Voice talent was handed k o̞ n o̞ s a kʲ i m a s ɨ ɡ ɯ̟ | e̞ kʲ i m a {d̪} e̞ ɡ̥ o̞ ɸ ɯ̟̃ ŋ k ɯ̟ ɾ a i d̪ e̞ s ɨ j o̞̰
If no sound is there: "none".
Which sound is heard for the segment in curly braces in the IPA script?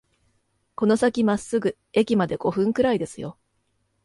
d̪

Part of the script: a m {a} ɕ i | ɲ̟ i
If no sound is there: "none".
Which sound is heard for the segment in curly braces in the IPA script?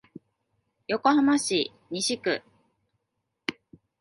a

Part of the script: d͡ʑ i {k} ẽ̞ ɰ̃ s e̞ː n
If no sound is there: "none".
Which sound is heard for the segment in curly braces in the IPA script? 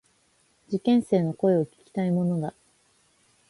k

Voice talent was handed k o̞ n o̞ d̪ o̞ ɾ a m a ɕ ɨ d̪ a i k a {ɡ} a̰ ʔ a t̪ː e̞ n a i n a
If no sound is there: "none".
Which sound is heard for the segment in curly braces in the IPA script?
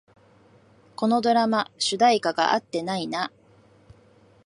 ɡ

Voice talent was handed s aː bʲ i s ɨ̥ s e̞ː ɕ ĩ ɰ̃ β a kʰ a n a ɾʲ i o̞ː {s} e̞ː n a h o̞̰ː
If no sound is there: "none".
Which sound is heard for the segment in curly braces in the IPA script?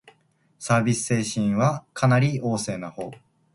s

